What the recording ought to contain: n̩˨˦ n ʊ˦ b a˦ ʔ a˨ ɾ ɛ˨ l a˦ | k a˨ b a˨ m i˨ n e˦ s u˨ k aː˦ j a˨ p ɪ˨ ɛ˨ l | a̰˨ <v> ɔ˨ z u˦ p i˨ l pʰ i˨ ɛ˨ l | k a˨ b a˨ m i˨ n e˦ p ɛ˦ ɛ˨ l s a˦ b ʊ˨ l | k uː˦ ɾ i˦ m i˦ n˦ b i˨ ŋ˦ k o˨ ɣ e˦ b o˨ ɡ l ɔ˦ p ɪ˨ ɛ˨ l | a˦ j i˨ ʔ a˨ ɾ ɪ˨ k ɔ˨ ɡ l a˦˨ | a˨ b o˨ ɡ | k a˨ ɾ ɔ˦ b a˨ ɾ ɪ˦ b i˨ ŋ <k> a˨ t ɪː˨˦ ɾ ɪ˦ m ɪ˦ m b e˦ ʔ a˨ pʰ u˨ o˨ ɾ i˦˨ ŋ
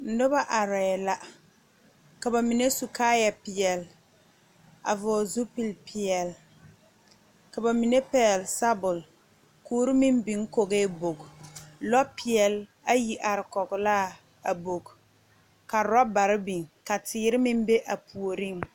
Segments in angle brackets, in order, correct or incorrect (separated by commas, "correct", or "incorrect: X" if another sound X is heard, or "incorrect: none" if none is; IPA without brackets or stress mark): correct, correct